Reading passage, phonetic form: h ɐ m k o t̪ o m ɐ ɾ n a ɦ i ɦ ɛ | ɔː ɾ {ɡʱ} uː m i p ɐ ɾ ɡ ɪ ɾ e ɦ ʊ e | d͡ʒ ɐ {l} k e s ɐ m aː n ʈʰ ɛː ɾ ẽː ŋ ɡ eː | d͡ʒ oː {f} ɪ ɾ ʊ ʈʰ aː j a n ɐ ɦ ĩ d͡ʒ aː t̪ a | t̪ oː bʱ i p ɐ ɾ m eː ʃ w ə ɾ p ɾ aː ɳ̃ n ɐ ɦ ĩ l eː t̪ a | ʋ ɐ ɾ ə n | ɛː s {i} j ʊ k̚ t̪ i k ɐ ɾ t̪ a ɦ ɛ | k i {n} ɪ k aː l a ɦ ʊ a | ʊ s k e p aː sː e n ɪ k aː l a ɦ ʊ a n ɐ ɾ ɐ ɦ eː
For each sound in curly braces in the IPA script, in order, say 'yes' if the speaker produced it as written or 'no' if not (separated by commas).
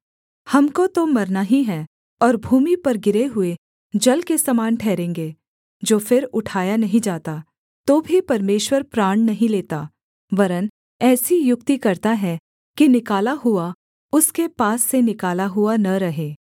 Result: no, yes, yes, yes, yes